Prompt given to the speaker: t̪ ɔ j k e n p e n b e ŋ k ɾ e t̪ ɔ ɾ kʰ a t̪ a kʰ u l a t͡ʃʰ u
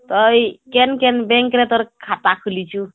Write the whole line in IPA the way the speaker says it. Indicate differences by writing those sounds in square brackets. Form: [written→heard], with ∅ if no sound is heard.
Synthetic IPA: t̪ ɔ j k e n [p→k] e n b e ŋ k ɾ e t̪ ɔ ɾ kʰ a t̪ a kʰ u l [a→i] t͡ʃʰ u